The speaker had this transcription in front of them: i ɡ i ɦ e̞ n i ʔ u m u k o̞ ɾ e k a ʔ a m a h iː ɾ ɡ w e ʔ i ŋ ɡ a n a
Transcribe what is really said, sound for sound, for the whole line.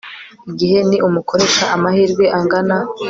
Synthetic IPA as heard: i ɡ i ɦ e̞ n i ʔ u m u k o̞ ɾ e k a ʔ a m a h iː ɾ ɡ w e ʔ a ŋ ɡ a n a